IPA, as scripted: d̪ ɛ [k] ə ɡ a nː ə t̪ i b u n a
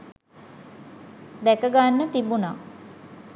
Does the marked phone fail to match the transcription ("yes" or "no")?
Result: no